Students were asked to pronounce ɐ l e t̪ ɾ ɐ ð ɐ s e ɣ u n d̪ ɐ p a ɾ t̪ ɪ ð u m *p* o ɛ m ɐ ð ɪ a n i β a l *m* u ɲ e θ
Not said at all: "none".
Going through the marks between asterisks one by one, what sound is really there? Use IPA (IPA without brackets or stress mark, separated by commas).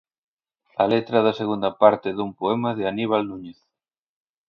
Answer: p, n